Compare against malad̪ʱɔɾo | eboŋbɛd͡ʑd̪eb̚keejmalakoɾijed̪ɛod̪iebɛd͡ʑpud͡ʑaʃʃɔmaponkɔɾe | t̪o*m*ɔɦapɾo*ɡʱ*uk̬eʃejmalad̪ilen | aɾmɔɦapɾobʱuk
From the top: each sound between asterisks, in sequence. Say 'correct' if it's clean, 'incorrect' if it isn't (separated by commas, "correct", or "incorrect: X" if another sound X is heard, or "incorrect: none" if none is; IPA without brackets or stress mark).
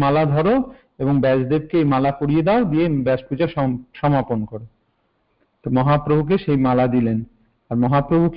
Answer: correct, incorrect: bʱ